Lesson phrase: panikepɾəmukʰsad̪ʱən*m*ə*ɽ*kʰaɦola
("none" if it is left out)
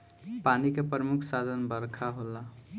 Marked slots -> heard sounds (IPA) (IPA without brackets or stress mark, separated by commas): b, ɾ